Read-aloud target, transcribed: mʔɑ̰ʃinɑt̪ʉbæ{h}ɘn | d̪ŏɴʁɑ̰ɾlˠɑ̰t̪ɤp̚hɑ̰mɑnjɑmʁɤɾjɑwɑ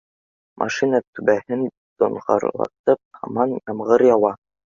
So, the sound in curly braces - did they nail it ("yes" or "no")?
yes